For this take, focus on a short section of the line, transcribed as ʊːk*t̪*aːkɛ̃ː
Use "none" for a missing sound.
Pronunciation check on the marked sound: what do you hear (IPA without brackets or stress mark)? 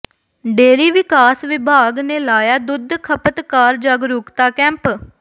t̪